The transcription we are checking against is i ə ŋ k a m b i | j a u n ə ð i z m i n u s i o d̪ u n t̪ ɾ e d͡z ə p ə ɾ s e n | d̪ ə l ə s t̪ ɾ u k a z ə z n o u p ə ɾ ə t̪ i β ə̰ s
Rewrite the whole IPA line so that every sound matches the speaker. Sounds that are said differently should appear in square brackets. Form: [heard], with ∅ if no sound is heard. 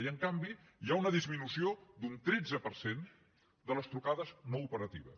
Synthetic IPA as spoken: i ə ŋ k a m b i | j a u n ə ð i z m i n u s i o d̪ u n t̪ ɾ e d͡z ə p ə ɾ s e n | d̪ ə l ə s t̪ ɾ u k a [ð] ə z n o u p ə ɾ ə t̪ i β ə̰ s